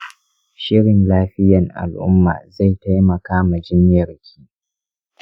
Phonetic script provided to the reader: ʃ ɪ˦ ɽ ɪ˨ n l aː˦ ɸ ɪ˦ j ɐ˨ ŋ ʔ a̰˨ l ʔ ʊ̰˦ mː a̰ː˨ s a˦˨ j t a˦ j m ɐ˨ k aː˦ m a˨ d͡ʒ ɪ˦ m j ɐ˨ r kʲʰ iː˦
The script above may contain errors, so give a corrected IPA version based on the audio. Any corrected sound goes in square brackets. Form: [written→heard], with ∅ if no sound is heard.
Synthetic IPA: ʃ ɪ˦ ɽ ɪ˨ n l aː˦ ɸ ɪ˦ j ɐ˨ ŋ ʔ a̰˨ l ʔ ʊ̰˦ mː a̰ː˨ [s→z] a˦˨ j t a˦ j m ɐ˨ k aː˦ m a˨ d͡ʒ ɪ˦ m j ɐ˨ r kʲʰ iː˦